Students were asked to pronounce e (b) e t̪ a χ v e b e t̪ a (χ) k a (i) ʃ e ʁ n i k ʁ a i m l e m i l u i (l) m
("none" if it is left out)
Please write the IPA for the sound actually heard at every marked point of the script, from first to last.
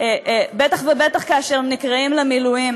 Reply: b, χ, a, none

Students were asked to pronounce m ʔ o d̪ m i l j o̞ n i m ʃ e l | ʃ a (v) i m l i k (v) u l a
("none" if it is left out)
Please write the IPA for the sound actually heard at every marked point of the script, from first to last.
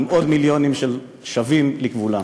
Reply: v, v

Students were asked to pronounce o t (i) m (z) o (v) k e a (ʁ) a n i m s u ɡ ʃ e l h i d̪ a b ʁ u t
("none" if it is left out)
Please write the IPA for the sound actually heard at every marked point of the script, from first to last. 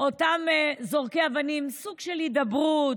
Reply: a, z, ʁ, v

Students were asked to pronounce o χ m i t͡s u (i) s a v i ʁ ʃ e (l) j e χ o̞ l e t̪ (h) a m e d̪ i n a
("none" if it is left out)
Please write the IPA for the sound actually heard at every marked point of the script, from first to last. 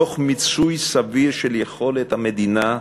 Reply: j, l, h

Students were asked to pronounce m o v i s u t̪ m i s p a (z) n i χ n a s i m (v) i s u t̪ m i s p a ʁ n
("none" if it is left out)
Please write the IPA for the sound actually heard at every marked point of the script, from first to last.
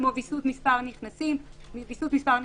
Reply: ʁ, v

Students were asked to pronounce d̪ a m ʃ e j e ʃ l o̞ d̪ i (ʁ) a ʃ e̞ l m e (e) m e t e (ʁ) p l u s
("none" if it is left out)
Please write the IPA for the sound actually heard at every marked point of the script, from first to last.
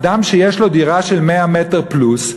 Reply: ʁ, a, ʁ

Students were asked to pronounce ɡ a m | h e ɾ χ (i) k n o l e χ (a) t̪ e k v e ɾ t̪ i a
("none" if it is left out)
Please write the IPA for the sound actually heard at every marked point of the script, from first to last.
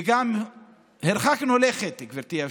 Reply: a, e

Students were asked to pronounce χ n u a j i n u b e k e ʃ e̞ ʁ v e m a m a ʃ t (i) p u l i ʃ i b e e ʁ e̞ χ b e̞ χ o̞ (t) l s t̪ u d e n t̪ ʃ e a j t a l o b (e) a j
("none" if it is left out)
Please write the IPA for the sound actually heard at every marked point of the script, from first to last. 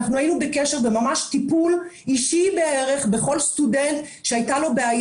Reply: i, none, e

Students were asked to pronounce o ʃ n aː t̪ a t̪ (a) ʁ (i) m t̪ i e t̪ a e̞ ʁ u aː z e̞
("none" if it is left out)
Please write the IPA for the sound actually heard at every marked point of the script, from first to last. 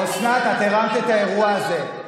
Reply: e, a

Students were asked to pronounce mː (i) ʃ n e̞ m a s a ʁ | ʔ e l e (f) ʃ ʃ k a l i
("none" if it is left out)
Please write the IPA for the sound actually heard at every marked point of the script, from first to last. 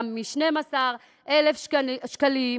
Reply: i, f

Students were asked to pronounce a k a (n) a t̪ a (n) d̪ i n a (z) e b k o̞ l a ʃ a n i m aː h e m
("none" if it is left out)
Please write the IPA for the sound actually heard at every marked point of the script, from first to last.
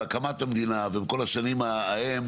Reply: m, m, v

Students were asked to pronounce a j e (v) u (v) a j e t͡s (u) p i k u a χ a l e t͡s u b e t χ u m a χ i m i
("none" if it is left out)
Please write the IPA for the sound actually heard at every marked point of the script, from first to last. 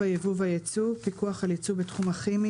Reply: v, v, u

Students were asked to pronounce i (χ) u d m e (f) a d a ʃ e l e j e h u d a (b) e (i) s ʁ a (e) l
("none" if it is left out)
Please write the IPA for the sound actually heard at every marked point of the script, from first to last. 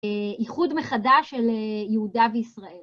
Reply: χ, χ, v, i, e

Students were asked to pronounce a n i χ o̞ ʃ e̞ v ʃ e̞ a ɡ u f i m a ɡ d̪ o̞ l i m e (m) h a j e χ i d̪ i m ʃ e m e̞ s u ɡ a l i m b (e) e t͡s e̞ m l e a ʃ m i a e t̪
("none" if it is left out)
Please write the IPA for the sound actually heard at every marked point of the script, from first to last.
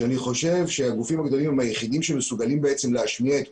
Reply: m, e

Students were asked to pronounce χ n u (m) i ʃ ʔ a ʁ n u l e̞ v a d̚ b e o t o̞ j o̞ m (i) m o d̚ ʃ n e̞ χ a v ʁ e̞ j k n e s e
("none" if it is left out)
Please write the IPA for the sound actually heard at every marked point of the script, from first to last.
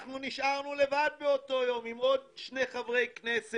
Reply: n, i

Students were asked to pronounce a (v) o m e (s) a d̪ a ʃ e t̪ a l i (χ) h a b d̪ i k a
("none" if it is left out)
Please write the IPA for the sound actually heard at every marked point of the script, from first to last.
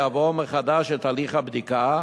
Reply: v, χ, χ

